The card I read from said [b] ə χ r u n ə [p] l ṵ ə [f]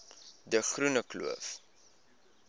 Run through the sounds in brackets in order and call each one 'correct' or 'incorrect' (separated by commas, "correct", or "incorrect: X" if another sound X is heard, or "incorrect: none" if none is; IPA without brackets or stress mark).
incorrect: d, incorrect: k, correct